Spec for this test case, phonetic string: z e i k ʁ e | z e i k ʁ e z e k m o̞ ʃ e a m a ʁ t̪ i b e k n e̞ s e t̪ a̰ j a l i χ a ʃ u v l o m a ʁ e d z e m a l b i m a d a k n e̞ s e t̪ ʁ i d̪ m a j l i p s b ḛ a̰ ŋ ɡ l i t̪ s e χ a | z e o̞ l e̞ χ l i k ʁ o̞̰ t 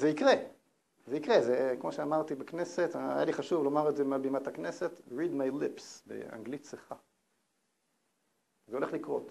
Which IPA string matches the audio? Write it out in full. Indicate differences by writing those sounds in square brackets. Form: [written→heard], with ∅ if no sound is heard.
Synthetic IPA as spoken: z e i k ʁ e | z e i k ʁ e z e k m o̞ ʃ e a m a ʁ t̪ i b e k n e̞ s e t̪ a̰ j a l i χ a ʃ u v l o m a ʁ e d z e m a l b i m a [d→t] a k n e̞ s e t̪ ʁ i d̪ m a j l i p s b ḛ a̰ ŋ ɡ l i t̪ s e χ a | z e o̞ l e̞ χ l i k ʁ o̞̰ t